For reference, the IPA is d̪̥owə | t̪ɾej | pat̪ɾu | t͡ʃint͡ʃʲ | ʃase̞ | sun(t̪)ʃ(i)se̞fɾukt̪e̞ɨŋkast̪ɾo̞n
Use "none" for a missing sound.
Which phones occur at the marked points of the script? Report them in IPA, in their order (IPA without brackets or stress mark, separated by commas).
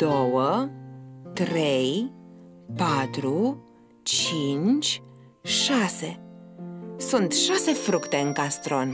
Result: t̪, a